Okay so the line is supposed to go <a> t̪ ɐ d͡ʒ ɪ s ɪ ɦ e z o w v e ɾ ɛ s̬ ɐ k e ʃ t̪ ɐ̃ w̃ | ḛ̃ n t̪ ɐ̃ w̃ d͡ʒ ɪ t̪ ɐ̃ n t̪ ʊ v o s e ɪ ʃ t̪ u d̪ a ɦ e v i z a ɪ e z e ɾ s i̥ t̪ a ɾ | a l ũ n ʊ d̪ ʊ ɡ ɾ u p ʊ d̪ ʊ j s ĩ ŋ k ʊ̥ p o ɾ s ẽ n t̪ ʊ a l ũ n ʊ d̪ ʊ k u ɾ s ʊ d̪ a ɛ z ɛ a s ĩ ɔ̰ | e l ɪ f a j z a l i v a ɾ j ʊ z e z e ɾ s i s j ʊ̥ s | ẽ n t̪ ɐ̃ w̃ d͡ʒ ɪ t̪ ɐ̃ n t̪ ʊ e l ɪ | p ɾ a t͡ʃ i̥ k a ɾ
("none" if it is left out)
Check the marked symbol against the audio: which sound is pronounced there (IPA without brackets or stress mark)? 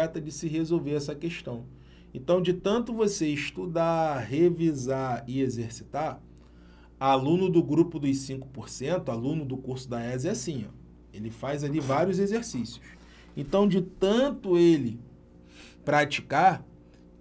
ɛ